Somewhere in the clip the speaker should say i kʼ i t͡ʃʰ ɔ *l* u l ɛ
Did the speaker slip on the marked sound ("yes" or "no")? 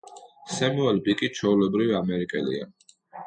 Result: yes